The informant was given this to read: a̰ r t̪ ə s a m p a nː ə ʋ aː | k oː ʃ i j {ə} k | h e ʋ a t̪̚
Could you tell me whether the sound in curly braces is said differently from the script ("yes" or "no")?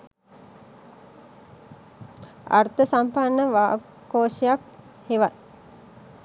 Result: yes